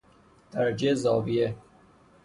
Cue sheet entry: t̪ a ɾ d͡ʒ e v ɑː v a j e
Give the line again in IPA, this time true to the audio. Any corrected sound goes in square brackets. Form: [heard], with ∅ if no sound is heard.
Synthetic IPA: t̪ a ɾ d͡ʒ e [z] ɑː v [i] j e